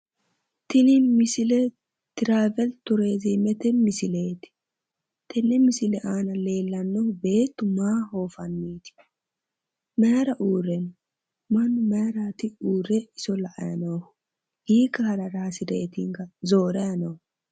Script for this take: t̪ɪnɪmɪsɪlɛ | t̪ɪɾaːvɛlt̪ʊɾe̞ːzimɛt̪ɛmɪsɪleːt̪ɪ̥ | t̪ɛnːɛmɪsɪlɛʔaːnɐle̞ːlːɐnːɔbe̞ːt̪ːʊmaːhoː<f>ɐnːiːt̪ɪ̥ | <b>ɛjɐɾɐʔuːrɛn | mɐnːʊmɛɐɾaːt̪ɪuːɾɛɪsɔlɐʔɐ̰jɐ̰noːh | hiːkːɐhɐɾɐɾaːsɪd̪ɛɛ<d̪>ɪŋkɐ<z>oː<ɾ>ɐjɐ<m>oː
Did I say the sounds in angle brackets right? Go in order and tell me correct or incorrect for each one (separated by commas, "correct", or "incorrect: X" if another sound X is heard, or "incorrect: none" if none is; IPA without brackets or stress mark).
correct, incorrect: m, incorrect: t̪, correct, correct, incorrect: n